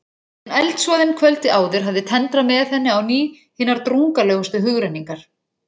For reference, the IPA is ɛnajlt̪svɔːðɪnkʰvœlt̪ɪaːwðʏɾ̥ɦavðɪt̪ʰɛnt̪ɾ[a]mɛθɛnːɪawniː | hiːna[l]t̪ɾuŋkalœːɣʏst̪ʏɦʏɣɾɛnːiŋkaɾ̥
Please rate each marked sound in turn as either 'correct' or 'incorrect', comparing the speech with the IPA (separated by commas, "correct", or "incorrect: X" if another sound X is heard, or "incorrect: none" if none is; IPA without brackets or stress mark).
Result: correct, incorrect: ɾ